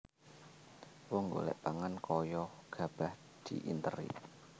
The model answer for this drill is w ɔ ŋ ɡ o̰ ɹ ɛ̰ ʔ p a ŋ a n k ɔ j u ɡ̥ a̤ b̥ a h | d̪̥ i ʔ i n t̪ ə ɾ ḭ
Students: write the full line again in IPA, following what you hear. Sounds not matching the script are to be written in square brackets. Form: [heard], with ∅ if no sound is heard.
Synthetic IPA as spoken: w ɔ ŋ ɡ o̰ [l] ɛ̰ ʔ p a ŋ a n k ɔ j [ɔ] ɡ̥ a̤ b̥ a h | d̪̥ i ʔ i n t̪ ə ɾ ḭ